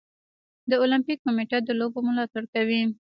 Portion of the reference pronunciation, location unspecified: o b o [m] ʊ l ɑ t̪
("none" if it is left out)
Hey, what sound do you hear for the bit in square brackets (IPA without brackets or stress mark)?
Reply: m